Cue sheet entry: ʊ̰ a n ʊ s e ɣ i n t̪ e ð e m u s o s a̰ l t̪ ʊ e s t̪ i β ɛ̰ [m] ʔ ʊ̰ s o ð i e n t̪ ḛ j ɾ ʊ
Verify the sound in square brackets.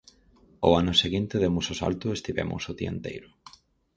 correct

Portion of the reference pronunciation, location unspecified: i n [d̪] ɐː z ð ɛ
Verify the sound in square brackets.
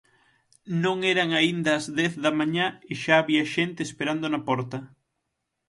correct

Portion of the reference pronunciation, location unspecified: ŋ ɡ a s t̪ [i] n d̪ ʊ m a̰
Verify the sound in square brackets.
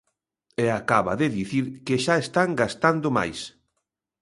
incorrect: a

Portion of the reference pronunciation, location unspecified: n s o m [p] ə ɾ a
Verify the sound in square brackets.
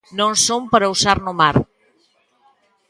correct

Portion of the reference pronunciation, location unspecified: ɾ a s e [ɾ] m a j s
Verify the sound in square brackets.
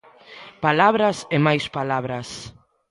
incorrect: none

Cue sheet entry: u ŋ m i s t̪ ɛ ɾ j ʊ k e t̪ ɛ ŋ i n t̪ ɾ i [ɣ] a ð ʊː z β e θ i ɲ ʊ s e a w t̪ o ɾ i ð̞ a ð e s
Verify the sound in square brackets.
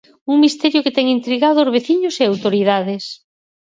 correct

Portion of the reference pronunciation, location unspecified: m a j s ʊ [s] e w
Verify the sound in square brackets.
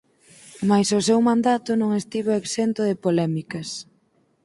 correct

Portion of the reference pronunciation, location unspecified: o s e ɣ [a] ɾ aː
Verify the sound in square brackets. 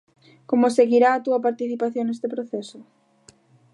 incorrect: i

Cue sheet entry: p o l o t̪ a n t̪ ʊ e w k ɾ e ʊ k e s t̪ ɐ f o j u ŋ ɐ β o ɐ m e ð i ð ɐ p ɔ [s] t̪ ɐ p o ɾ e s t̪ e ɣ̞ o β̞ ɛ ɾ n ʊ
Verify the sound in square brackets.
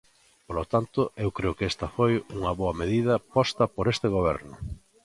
correct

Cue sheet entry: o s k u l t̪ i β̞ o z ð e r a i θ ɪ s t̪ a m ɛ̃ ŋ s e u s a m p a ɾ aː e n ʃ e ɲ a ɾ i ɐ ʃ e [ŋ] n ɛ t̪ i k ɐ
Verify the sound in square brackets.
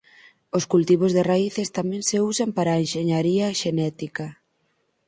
incorrect: none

